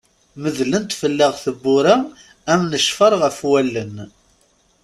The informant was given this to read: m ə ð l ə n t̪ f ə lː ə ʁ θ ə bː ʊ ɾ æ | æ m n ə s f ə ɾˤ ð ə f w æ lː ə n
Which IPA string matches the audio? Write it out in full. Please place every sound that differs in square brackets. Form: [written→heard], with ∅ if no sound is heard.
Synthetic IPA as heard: m ə ð l ə n t̪ f ə lː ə ʁ θ ə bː ʊ ɾ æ | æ m n ə [s→ʃ] f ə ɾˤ [ð→ʁ] ə f w æ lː ə n